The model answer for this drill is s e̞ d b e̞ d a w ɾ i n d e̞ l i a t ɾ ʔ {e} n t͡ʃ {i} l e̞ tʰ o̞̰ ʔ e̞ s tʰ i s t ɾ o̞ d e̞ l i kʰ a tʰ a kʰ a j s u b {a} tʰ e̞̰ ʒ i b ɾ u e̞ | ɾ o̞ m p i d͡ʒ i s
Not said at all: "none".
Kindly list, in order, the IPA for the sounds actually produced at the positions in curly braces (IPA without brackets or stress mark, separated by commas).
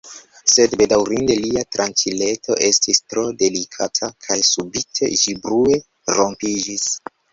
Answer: a, i, i